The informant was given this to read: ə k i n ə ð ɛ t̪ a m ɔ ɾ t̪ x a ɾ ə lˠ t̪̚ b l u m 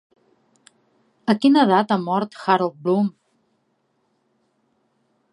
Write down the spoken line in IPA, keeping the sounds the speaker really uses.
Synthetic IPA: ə k i n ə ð a t̪ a m ɔ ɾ t̪ x a ɾ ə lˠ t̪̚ b l u m